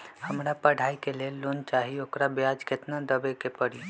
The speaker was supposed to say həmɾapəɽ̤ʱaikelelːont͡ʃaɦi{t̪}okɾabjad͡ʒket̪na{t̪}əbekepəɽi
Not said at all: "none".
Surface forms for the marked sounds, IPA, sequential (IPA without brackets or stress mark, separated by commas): none, d̪